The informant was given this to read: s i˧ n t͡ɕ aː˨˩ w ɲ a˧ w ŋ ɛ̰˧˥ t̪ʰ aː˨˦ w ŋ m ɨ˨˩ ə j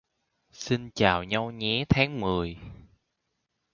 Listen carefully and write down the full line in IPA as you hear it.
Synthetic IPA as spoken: s i˧ n t͡ɕ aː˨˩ w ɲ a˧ w ɲ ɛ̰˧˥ t̪ʰ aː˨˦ ŋ m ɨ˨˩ ə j